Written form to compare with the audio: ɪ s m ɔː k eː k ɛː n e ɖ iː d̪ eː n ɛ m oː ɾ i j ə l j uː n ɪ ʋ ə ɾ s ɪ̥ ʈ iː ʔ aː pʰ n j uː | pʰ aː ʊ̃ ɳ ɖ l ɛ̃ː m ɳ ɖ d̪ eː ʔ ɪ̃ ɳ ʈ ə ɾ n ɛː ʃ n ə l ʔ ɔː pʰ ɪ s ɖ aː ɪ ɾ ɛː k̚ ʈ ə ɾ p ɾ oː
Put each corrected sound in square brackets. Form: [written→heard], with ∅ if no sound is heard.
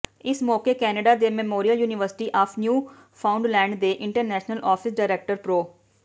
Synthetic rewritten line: ɪ s m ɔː k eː k ɛː n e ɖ [iː→aː] d̪ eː [n→m] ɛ m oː ɾ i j ə l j uː n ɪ ʋ ə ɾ s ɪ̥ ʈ iː ʔ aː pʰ n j uː | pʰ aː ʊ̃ ɳ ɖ l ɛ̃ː [m→∅] ɳ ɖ d̪ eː ʔ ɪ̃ ɳ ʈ ə ɾ n ɛː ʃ n ə l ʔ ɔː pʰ ɪ s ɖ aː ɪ ɾ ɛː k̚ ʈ ə ɾ p ɾ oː